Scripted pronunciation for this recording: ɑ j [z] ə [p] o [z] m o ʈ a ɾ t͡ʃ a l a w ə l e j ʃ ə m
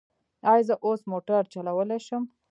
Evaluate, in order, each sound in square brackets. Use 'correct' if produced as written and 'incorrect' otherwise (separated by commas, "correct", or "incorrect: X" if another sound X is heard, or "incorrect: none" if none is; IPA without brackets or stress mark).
correct, incorrect: ʔ, incorrect: s